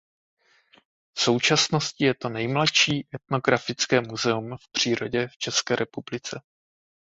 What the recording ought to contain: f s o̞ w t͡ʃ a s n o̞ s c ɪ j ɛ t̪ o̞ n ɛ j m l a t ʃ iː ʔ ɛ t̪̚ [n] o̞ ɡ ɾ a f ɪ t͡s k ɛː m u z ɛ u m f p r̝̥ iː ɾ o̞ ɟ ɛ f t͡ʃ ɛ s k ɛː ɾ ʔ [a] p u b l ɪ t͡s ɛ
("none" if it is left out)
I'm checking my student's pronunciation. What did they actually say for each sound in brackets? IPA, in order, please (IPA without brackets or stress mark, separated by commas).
n, ɛ